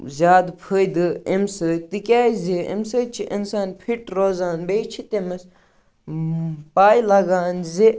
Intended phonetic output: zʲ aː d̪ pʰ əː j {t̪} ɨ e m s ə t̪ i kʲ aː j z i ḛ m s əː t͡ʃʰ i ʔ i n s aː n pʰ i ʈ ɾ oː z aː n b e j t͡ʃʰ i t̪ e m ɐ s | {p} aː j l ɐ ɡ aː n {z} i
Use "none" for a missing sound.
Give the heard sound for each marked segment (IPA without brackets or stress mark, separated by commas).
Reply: d̪, p, z